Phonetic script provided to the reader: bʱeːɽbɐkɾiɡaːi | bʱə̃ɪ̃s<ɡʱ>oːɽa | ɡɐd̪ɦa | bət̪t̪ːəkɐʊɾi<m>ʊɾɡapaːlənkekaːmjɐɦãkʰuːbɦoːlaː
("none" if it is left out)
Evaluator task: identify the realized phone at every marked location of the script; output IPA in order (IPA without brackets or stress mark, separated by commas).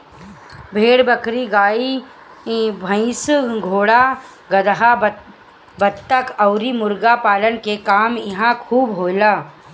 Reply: ɡʱ, m